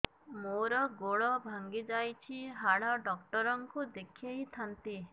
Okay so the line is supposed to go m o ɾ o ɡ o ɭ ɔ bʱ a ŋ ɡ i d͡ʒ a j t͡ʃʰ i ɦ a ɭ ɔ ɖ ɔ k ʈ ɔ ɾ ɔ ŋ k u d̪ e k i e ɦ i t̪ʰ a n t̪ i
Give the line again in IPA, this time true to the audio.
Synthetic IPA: m o ɾ ɔ ɡ o ɭ ɔ bʱ a ŋ ɡ i d͡ʒ a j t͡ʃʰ i ɦ a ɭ ɔ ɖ ɔ k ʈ ɔ ɾ ɔ ŋ k u d̪ e kʰ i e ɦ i t̪ʰ a n t̪ i